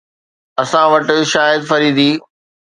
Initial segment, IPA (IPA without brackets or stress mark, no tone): ɐ